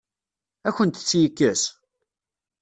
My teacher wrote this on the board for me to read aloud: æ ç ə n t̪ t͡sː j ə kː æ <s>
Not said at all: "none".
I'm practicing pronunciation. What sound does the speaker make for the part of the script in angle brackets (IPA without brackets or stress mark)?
s